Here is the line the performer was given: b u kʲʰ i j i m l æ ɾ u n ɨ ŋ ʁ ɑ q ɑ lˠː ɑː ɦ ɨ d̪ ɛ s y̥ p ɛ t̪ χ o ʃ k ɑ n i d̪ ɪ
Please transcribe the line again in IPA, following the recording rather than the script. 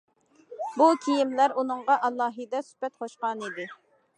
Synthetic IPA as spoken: b u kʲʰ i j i m l æ ɾ u n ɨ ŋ ʁ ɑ ʔ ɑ lˠː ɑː ɦ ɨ d̪ ɛ s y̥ p ɛ t̪ χ o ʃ q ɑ n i d̪ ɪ